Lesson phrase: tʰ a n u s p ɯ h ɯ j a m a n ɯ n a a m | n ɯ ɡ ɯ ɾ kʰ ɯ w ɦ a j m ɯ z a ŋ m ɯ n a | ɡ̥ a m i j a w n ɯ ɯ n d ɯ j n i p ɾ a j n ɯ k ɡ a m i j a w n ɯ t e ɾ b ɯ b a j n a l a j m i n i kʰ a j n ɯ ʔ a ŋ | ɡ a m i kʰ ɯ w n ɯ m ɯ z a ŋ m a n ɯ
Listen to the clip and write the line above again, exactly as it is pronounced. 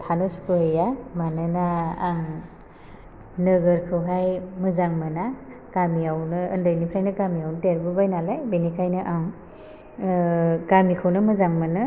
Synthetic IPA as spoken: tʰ a n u s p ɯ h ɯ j a m a n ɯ n a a ŋ | n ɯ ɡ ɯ ɾ kʰ ɯ w ɦ a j m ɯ z a ŋ m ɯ n a | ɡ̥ a m i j a w n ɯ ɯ n d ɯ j n i pʰ ɾ a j n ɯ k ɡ a m i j a w n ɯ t e ɾ b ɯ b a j n a l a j b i n i kʰ a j n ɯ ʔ a ŋ | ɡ a m i kʰ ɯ w n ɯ m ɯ z a ŋ m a n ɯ